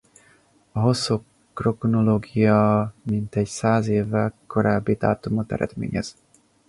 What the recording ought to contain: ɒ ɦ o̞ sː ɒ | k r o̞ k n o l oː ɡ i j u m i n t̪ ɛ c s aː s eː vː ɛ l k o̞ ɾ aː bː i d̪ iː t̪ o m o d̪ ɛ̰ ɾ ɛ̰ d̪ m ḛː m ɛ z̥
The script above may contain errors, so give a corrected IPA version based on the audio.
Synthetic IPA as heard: ɒ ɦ o̞ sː o | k r o̞ k n o l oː ɡ i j ɒ m i n t̪ ɛ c s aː z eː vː ɛ l k o̞ ɾ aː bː i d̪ aː t̪ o m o t̪ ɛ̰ ɾ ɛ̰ d̪ m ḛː ɲ ɛ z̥